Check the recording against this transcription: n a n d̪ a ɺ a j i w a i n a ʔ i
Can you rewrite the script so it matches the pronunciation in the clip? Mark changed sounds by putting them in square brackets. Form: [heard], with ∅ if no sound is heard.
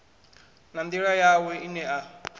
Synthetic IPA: n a n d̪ [i] ɺ a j [a] w [ɛ] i n [ɛ] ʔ [a]

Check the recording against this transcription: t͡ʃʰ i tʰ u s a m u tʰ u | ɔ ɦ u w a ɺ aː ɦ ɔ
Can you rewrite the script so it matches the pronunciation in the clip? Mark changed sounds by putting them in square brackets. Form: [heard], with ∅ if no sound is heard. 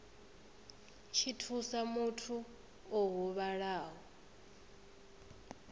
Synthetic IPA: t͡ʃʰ i tʰ u s a m u tʰ u | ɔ ɦ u [β] a ɺ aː ɦ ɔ

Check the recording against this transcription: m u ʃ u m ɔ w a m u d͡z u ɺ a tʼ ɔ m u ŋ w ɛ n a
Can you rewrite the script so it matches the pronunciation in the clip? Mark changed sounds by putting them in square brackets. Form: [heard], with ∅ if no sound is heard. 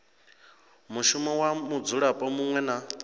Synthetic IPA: m u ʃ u m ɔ w a m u d͡z u ɺ a [pʼ] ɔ m u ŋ w ɛ n a

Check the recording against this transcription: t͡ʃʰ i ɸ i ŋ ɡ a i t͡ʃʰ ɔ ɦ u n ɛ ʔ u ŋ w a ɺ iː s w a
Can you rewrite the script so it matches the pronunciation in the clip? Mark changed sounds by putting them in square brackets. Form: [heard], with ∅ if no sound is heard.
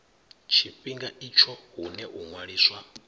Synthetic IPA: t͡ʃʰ i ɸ i ŋ ɡ a i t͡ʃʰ ɔ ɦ u n ɛ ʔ u ŋ w a ɺ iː s w a

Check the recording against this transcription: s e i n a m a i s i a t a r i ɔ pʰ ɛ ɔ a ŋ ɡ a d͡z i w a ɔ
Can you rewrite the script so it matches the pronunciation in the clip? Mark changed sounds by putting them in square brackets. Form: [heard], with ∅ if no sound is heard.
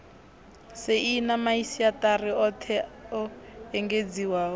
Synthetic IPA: s e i n a m a i s i a t a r i ɔ [tʰ] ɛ ɔ [ɛ] ŋ ɡ [e] d͡z i w a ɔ

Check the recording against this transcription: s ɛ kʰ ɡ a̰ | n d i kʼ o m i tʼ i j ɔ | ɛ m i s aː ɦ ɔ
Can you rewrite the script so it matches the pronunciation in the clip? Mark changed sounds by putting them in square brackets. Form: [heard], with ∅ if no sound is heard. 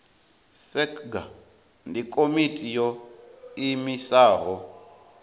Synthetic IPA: s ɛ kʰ ɡ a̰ | n d i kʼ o m i tʼ i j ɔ | [i] m i s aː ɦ ɔ

